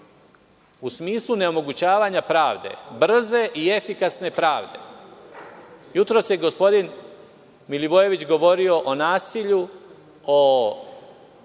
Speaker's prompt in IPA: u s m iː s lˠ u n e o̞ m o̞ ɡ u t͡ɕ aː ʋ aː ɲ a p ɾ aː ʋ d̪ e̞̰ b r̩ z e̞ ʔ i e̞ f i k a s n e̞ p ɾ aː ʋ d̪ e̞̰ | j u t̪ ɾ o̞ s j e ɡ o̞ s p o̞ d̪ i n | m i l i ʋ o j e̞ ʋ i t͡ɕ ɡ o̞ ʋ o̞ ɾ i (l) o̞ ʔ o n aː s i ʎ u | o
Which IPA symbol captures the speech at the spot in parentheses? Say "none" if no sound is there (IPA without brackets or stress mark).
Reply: none